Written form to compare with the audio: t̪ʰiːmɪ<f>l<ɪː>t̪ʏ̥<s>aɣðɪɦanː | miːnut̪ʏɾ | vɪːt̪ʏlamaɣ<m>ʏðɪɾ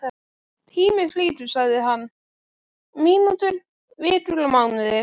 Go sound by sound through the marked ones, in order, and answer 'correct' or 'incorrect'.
correct, incorrect, correct, incorrect

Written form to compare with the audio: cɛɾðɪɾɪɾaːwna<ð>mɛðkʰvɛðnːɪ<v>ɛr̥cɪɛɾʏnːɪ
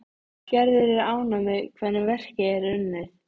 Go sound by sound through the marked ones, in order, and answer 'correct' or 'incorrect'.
incorrect, correct

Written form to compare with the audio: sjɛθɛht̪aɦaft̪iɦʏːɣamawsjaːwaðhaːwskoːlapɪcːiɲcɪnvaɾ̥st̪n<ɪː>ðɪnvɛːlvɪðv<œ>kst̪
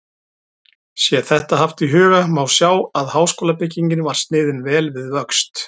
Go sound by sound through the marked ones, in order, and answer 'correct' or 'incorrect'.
correct, correct

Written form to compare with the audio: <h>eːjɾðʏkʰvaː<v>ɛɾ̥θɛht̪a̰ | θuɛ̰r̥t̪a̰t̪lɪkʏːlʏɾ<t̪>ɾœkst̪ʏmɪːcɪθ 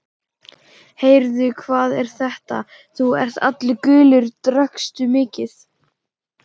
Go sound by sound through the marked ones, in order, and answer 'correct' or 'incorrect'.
correct, incorrect, correct

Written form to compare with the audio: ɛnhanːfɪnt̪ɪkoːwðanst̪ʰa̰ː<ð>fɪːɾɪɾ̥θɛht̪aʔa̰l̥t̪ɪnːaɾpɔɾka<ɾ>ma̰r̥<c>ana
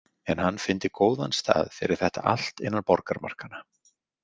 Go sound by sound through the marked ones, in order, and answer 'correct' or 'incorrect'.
correct, correct, incorrect

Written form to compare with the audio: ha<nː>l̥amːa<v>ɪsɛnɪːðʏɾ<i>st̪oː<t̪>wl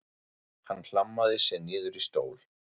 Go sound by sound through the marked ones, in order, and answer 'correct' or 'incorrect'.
correct, incorrect, correct, incorrect

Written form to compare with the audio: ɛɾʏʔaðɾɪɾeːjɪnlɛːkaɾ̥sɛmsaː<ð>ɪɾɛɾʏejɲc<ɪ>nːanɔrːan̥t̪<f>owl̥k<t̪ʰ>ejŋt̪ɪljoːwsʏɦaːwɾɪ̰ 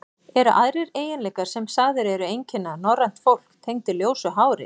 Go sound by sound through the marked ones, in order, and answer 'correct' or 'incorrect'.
correct, correct, correct, correct

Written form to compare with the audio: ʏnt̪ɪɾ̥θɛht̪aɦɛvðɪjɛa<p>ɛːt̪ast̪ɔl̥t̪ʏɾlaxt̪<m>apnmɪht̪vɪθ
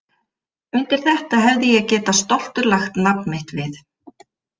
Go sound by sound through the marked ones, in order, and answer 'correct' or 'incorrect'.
incorrect, incorrect

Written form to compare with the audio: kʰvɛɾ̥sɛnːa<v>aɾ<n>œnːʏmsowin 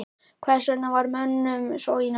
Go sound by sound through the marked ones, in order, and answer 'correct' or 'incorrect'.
correct, incorrect

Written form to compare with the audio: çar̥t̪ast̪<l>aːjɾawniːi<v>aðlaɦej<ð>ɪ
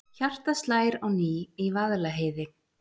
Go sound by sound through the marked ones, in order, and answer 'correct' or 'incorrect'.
correct, correct, correct

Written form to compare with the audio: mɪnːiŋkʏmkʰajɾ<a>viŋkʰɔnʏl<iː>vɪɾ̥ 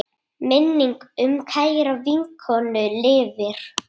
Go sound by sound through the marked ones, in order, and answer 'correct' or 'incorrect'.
correct, incorrect

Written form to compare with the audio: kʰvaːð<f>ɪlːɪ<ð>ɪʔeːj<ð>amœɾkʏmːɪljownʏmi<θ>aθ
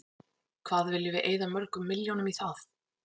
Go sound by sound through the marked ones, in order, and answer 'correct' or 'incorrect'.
incorrect, incorrect, correct, correct

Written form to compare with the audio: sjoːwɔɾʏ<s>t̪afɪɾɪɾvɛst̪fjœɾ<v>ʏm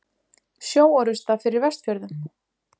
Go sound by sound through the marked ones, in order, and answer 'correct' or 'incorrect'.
correct, incorrect

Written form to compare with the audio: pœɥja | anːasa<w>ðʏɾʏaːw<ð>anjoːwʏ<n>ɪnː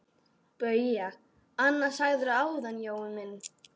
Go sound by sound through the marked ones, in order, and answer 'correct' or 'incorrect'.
incorrect, correct, incorrect

